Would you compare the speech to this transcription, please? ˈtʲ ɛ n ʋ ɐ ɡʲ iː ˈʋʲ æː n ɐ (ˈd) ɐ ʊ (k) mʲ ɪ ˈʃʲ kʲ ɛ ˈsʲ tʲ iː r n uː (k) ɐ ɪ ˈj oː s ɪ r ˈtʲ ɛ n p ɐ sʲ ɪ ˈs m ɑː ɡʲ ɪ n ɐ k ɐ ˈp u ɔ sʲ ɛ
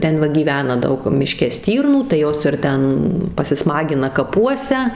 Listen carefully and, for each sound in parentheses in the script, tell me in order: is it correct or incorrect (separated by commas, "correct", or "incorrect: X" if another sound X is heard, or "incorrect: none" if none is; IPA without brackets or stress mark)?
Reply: correct, correct, incorrect: t